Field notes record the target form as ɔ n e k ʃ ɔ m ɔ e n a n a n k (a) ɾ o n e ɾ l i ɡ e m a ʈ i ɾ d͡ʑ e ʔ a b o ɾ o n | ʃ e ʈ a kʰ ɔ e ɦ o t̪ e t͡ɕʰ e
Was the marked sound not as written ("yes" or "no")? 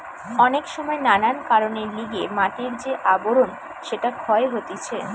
no